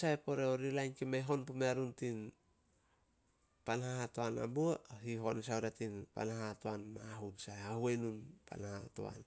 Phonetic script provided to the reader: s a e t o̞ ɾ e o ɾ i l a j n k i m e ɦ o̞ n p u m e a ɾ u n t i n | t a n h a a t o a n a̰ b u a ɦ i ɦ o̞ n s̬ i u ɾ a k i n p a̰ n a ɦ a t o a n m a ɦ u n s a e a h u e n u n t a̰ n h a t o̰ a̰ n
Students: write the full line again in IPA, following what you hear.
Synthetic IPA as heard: s a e p o̞ ɾ e o ɾ i l a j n k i m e ɦ o̞ n p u m e a ɾ u n t i n | p a n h a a t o a n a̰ b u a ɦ i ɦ o̞ n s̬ a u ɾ a t i n p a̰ n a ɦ a t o a n m a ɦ u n s a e a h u e n u n p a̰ n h a t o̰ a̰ n